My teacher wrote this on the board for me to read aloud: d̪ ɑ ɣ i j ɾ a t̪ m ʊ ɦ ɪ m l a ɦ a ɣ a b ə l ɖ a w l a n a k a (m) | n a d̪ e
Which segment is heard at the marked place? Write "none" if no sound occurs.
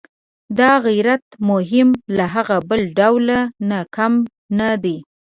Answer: m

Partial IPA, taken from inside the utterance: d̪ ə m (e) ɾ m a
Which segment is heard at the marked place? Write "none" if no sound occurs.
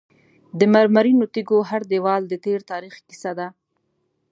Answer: a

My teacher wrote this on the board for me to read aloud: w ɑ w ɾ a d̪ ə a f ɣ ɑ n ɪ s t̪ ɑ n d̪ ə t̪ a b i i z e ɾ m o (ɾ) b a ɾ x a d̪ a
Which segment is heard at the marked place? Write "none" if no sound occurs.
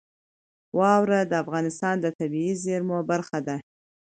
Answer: none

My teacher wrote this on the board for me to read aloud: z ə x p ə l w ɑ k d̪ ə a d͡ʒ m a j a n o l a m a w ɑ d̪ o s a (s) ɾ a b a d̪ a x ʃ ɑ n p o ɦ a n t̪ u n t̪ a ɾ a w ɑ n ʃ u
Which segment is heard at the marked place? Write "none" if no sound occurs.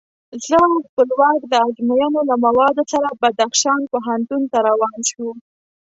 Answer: none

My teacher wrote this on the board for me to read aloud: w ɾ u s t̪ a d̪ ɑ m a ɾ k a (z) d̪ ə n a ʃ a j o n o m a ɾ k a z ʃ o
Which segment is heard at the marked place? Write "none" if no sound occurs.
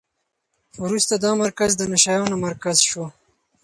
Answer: z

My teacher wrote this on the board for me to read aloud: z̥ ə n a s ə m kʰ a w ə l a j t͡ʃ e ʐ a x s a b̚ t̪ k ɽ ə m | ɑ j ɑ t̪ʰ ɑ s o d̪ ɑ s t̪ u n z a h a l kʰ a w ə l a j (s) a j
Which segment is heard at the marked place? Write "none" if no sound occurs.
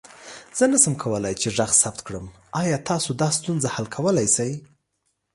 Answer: s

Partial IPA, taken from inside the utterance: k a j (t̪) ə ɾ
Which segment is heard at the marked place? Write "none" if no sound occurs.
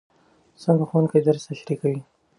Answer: d̪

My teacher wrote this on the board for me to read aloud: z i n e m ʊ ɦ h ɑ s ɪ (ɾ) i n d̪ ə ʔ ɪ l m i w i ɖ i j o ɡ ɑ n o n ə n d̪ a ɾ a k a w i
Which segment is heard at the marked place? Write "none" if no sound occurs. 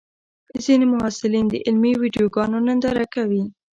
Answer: l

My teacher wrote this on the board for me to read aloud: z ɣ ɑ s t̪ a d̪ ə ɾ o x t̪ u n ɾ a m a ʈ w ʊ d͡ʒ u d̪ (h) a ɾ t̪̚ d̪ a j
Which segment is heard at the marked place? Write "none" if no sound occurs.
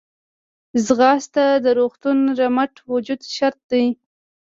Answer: ʃ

